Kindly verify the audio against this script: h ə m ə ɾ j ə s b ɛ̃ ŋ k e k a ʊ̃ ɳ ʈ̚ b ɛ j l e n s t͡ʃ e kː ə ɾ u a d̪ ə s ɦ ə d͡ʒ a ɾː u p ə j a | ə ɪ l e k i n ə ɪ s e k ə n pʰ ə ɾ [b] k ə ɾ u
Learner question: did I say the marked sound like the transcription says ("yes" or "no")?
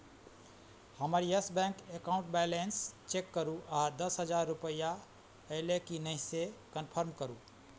no